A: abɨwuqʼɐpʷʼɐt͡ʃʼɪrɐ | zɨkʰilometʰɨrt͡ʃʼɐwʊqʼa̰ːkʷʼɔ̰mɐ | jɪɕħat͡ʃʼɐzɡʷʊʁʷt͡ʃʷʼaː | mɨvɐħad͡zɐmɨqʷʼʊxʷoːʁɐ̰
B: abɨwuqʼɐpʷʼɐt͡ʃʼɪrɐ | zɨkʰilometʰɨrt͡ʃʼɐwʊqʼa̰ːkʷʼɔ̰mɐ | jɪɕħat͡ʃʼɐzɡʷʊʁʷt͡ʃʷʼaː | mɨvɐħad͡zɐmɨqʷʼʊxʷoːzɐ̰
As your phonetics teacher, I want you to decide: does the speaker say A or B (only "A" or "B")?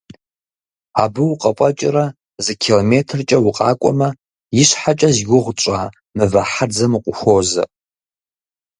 B